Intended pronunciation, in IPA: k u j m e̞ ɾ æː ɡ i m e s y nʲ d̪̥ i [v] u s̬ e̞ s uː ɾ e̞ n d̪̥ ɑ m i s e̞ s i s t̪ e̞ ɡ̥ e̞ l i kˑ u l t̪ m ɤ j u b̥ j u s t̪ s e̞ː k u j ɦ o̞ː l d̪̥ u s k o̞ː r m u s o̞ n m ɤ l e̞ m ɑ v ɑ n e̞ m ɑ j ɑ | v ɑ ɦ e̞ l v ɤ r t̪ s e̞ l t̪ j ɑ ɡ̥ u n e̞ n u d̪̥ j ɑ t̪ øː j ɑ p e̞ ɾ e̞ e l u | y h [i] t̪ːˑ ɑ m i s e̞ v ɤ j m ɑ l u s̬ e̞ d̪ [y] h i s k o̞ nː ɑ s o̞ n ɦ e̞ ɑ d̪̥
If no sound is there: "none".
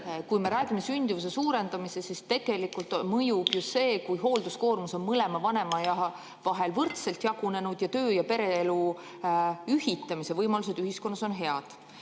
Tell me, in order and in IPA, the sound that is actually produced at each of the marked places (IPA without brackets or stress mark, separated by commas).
v, i, y